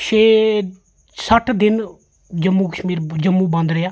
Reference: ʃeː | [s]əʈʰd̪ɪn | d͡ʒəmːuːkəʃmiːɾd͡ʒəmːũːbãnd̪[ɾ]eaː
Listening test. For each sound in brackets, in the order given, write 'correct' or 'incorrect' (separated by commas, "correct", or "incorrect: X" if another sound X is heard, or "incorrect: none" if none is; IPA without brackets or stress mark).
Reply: correct, correct